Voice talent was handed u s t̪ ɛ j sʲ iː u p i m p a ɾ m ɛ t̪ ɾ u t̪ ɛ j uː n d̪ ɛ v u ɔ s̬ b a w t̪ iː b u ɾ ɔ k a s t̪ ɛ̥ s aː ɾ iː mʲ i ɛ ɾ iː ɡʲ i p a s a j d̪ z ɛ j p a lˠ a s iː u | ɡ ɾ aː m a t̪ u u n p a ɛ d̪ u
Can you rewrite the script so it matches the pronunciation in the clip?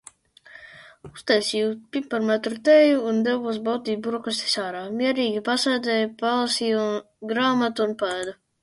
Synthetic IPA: u s t̪ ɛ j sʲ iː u p i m p a ɾ m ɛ t̪ ɾ u t̪ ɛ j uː n d̪ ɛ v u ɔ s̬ b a w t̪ iː b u ɾ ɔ k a s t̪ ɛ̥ s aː ɾ aː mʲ i ɛ ɾ iː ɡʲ i p a s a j d̪ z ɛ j p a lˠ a s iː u | ɡ ɾ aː m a t̪ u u n p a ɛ d̪ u